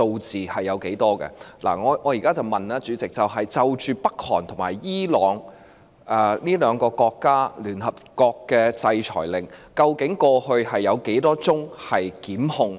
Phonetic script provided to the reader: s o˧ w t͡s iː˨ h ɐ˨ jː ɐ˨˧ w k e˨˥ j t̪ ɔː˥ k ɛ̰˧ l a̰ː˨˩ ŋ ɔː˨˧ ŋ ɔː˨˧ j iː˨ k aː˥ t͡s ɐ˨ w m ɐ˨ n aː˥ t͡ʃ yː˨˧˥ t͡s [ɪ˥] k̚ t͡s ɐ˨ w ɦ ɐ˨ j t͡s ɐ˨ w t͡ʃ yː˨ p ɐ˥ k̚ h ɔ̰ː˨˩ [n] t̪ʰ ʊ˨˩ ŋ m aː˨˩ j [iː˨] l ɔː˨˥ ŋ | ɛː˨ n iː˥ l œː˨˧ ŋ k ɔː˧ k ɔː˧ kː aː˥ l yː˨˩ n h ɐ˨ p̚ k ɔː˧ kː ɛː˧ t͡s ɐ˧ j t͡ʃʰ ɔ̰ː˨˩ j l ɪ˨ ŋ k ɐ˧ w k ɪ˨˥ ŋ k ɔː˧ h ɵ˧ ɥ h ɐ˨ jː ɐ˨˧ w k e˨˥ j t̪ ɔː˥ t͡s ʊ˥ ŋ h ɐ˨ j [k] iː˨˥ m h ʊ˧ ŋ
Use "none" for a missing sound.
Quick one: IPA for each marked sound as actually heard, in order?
ɪ˨, n, iː˥, k

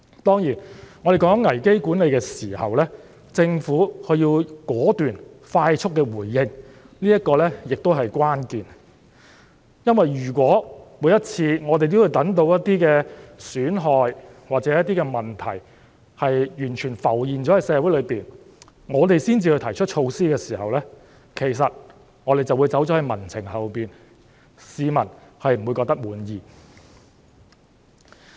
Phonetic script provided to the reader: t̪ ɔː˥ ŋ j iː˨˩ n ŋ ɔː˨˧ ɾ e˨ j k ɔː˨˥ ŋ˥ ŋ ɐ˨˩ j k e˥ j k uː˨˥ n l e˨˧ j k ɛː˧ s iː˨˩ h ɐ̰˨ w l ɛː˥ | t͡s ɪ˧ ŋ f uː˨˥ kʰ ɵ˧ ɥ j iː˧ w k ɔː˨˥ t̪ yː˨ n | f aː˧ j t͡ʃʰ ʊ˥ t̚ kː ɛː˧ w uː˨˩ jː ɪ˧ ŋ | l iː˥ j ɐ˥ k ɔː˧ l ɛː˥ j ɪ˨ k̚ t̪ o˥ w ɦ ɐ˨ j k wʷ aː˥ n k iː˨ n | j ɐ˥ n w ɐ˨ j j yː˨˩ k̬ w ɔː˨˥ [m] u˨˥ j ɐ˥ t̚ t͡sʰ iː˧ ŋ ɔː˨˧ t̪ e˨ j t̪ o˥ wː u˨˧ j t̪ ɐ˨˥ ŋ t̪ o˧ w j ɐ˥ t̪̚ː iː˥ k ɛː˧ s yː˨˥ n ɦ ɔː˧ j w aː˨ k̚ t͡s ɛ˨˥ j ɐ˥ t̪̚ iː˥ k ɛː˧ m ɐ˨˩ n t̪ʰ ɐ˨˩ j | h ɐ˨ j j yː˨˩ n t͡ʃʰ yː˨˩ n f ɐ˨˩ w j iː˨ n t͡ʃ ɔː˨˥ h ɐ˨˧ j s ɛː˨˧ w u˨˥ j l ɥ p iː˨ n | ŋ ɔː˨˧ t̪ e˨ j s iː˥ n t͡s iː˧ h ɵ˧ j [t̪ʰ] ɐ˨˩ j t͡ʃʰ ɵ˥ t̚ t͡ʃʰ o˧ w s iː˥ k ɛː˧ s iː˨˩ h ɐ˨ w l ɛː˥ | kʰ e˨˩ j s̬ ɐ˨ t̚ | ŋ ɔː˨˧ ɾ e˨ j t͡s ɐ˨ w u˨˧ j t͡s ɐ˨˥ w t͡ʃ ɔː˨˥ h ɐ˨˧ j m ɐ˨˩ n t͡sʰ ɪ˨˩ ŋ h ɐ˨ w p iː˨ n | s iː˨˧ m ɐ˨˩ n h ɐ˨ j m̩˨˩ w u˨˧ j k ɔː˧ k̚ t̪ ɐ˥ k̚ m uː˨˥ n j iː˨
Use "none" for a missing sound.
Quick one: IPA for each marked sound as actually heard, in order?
m, t̪ʰ

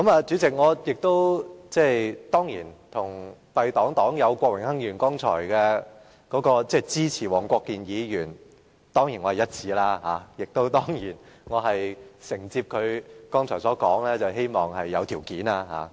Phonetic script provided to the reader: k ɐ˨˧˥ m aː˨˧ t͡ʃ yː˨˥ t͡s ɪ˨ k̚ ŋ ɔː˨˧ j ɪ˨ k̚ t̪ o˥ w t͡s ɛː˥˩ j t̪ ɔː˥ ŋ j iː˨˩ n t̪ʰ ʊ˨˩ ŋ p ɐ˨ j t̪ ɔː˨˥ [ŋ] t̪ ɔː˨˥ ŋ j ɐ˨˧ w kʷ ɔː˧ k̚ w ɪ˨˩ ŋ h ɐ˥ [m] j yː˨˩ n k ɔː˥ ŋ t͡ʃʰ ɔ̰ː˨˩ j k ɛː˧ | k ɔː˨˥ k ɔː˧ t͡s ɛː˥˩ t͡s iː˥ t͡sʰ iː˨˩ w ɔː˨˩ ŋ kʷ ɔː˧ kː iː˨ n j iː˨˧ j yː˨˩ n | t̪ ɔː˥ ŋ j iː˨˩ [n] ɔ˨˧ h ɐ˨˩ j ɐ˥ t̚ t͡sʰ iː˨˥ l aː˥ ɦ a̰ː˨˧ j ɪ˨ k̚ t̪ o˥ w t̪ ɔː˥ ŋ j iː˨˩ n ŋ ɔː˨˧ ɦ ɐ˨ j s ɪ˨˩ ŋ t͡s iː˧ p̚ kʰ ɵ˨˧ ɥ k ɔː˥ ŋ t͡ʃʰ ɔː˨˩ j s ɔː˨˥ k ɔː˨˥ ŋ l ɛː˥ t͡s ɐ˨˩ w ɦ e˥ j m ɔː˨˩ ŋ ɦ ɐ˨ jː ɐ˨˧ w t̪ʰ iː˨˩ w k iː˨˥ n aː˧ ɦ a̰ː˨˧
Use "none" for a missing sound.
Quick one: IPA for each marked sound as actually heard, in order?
ŋ, ŋ, n

